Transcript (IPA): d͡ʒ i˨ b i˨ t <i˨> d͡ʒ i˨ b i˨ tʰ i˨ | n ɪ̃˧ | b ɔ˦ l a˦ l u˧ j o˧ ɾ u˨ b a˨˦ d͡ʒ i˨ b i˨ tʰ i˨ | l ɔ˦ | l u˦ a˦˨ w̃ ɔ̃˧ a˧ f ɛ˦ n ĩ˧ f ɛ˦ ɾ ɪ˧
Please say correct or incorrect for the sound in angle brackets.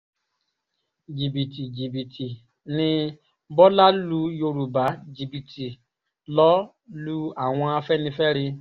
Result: correct